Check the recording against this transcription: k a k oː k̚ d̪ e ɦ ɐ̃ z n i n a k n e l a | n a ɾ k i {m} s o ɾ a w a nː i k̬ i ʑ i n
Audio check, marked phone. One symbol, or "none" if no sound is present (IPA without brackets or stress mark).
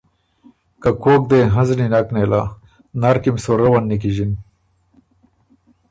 m